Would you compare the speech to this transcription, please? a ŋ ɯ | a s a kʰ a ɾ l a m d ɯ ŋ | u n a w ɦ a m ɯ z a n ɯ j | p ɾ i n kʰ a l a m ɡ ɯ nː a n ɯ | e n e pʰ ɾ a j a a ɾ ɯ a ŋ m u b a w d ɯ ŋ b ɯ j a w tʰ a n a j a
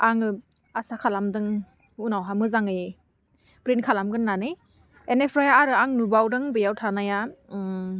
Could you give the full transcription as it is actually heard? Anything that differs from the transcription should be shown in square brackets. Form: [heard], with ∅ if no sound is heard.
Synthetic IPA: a ŋ ɯ | a s a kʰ a [∅] l a m d ɯ ŋ | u n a w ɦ a m ɯ z a [ŋ] ɯ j | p ɾ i n kʰ a l a m ɡ ɯ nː a n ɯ | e n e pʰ ɾ a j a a ɾ ɯ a ŋ [n] u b a w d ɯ ŋ b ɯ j a w tʰ a n a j a